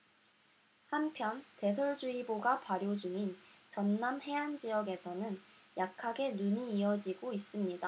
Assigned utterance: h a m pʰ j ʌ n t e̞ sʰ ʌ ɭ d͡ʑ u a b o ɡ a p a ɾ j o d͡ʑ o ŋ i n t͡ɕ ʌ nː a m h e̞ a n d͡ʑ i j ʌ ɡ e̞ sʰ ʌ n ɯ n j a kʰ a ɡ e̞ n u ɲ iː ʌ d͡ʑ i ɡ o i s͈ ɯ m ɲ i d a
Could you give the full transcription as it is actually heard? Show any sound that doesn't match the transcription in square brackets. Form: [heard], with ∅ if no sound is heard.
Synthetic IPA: h a m pʰ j ʌ n t e̞ sʰ ʌ ɭ d͡ʑ u [i] b o ɡ a p a ɾ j o d͡ʑ [u] ŋ i n t͡ɕ ʌ nː a m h e̞ a n d͡ʑ i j ʌ ɡ e̞ sʰ ʌ n ɯ n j a kʰ a ɡ e̞ n u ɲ iː ʌ d͡ʑ i ɡ o i s͈ ɯ m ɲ i d a